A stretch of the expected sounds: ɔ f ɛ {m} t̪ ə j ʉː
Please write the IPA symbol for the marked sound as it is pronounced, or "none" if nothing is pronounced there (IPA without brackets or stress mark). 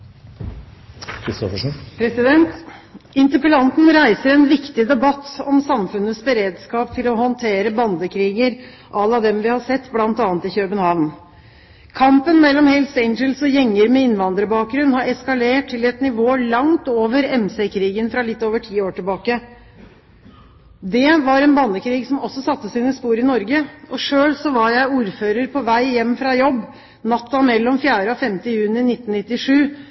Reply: m